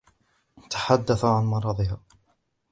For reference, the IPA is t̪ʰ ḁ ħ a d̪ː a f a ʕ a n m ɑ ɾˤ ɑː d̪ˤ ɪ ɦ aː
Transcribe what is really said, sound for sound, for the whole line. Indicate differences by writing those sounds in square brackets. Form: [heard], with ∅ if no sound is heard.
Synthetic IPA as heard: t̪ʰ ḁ ħ a d̪ː a [θ] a ʕ a n m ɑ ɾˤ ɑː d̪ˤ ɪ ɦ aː

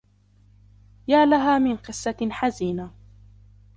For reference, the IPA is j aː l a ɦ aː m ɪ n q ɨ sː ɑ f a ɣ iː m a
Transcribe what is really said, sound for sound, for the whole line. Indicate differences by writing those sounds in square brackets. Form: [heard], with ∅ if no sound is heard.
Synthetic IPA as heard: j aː l a ɦ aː m ɪ n q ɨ sː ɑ [ħ] a [z] iː [n] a

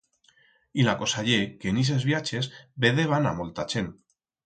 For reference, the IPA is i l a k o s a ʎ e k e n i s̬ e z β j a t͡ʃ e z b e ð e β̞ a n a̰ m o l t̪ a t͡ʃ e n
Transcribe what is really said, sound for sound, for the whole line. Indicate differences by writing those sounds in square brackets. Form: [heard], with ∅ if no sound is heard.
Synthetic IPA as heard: i l a k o s a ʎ e k e n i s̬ e z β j a t͡ʃ e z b e ð e β̞ a n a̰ m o l t̪ a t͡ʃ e n

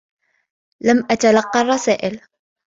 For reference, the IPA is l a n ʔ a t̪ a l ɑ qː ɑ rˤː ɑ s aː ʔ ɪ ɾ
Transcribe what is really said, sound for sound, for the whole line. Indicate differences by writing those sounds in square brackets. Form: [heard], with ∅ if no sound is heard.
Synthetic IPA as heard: l a [m] ʔ a t̪ a l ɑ qː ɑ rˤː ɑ s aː ʔ ɪ [l]

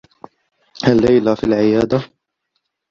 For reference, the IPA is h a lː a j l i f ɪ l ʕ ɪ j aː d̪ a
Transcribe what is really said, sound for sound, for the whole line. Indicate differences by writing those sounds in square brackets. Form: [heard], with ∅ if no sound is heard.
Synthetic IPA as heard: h a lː a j l [a] f [i] l ʕ ɪ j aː d̪ a

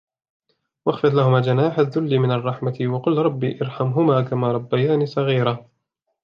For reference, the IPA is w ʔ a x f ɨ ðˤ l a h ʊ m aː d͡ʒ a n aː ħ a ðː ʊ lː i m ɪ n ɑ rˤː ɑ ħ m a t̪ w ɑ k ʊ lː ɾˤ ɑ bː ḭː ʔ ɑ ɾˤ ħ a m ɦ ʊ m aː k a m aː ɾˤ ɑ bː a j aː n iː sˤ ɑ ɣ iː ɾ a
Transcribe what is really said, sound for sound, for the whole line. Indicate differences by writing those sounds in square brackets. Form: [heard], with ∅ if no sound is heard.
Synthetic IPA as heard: w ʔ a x f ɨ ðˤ l a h ʊ m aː d͡ʒ a n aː ħ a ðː ʊ lː i m ɪ n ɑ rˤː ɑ ħ m a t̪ w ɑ [q] ʊ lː ɾˤ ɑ bː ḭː ʔ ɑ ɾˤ ħ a m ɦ ʊ m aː k a m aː ɾˤ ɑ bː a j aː n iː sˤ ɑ ɣ iː ɾ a

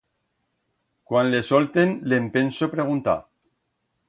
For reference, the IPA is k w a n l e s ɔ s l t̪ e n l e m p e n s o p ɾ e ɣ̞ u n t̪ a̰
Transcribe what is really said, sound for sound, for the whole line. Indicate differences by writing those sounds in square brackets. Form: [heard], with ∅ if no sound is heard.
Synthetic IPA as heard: k w a n l e s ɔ [∅] l t̪ e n l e m p e n s o p ɾ e ɣ̞ u n t̪ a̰

